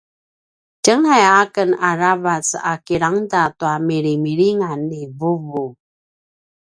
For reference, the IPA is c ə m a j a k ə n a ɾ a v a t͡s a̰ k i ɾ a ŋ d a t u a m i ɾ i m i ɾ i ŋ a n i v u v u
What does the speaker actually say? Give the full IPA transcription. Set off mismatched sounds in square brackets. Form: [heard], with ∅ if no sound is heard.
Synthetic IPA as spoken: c ə [ŋ] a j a k ə n a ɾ a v a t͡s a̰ k i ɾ a ŋ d a t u a m i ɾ i m i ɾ i ŋ a n i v u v u